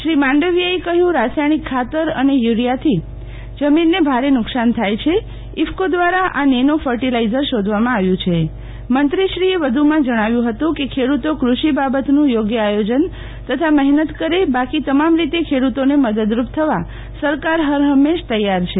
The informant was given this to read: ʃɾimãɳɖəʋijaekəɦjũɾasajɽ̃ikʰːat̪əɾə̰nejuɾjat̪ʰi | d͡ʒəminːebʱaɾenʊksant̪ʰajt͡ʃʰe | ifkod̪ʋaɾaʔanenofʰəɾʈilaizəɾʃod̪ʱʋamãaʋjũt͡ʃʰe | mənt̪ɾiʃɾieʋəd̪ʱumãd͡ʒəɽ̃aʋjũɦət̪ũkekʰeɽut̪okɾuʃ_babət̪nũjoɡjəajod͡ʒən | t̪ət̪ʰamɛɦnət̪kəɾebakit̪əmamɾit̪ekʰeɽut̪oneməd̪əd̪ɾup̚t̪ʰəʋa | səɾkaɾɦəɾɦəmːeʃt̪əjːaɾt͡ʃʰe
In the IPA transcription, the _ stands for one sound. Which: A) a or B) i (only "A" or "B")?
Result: B